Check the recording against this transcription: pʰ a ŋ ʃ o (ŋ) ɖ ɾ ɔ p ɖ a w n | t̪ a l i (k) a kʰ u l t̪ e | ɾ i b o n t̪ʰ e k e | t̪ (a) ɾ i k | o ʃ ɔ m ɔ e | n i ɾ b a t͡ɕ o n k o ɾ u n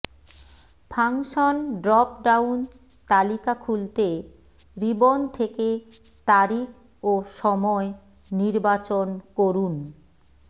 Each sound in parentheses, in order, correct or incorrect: incorrect, correct, correct

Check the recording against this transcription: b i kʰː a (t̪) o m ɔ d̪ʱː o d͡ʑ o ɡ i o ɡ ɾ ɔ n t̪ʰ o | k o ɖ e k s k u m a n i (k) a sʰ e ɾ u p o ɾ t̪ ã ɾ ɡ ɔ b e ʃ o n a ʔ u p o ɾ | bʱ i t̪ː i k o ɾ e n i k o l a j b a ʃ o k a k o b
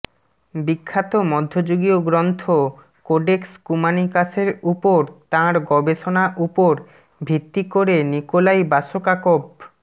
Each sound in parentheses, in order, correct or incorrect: correct, correct

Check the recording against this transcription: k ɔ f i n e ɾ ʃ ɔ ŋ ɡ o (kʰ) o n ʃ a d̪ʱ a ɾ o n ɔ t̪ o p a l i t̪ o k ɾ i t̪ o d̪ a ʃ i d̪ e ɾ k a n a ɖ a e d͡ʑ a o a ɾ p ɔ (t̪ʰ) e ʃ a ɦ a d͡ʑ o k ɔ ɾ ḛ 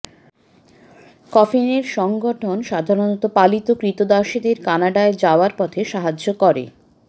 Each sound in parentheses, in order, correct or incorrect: incorrect, correct

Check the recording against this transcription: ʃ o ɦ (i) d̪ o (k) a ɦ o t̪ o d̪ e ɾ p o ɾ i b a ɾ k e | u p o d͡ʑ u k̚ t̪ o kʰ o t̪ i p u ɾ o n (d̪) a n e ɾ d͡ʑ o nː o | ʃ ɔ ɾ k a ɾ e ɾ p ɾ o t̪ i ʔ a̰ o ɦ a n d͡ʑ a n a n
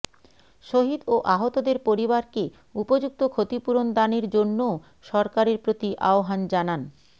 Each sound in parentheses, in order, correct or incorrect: correct, incorrect, correct

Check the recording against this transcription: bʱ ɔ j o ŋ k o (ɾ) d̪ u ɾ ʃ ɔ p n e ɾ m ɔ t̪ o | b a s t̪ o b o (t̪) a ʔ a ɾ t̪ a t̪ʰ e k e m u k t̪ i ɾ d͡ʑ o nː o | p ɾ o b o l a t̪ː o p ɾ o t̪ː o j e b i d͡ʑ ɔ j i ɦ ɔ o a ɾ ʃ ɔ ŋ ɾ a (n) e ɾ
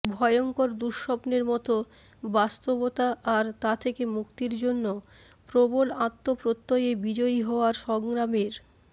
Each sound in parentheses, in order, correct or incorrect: correct, correct, incorrect

